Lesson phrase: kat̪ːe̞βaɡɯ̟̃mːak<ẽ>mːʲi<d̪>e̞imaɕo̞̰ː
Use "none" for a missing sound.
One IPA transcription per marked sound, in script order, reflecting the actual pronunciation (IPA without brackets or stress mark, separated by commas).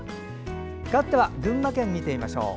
ẽ, t̪